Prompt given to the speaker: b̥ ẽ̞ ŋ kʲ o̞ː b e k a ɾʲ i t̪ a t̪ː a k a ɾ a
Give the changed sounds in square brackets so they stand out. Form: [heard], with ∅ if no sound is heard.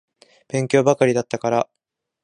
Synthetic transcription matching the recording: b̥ ẽ̞ ŋ kʲ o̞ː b [a] k a ɾʲ i [d̪] a t̪ː a k a ɾ a